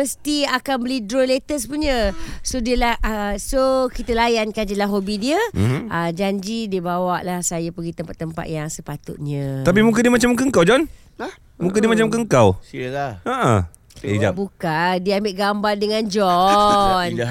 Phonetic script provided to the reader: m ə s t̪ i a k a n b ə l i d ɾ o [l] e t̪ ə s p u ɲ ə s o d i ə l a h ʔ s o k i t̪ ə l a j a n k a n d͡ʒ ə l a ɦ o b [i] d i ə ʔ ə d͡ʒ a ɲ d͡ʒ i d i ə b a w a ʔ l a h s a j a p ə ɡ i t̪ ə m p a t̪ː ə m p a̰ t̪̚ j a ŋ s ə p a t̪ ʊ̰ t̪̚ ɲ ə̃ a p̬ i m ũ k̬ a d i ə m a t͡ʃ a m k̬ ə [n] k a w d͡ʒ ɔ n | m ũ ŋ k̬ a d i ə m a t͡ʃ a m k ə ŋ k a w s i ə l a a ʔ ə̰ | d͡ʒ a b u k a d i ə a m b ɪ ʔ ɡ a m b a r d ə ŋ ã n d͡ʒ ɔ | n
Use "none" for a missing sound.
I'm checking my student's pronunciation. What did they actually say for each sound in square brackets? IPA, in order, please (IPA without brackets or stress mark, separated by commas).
l, i, ŋ